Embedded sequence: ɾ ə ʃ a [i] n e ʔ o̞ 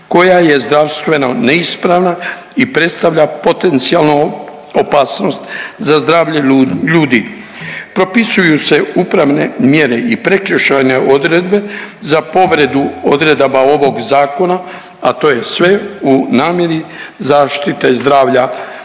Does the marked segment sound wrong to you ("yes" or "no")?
yes